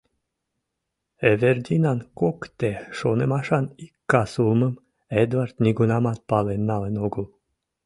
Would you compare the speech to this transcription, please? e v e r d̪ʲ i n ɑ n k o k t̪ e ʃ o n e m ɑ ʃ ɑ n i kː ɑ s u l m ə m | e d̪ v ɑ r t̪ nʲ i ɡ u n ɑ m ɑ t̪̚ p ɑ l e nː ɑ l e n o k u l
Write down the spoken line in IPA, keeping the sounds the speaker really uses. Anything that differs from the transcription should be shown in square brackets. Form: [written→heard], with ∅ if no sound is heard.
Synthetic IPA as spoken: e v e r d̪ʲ i n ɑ n k o k t̪ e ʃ o n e m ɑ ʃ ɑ n i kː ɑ s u l m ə m | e d̪ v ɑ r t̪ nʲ i ɡ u n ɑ m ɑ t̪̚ p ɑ l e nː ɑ l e n o [k→ɡ] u l